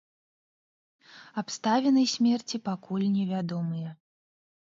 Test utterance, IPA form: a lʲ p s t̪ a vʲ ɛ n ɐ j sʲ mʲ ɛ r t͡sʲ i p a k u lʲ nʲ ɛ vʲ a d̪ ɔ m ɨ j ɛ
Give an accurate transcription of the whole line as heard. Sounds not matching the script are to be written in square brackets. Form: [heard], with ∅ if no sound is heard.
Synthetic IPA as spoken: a [∅] p s t̪ a vʲ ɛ n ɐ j sʲ mʲ ɛ r t͡sʲ i p a k u lʲ nʲ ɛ vʲ a d̪ ɔ m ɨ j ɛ